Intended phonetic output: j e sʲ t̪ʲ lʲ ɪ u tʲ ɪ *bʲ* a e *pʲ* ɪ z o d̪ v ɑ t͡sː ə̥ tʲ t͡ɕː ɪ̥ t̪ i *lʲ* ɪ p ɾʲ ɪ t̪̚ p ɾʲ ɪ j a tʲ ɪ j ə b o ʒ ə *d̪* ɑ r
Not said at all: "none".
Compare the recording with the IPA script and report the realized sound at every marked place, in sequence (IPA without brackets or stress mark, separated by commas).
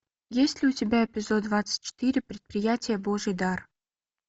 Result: bʲ, pʲ, ɾʲ, d̪